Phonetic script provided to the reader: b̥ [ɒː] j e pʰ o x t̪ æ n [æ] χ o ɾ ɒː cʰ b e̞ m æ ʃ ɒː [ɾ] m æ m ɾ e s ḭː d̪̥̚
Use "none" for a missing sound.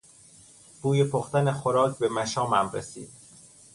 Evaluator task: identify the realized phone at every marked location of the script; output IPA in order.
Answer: uː, e, none

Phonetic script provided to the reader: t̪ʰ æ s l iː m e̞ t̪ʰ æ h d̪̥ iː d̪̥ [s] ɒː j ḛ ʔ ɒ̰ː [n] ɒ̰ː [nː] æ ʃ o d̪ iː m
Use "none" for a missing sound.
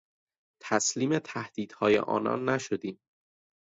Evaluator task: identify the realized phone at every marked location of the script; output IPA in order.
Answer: h, n, nː

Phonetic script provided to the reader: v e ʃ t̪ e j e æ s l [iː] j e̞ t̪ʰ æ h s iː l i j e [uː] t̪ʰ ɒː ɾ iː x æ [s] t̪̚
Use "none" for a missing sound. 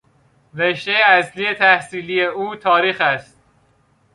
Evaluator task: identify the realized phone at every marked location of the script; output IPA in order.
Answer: i, uː, s

